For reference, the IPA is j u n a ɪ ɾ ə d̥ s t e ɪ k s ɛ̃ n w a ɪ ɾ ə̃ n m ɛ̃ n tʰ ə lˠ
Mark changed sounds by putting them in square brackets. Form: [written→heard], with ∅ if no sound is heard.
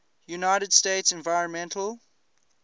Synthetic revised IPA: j u n a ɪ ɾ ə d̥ s t e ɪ [k→t] s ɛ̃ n [w→v] a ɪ [ɾ→ɹ] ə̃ n m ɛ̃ n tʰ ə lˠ